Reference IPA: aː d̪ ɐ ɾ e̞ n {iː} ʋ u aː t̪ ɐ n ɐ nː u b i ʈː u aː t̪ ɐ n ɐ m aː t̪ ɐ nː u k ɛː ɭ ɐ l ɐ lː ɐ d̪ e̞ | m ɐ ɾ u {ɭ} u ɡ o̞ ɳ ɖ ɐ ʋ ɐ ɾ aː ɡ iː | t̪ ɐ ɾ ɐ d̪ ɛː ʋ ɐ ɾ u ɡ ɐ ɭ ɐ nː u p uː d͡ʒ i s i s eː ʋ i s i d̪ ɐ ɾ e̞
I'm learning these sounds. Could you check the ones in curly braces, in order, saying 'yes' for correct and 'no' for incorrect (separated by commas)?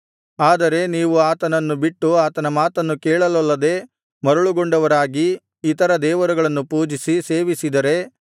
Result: yes, yes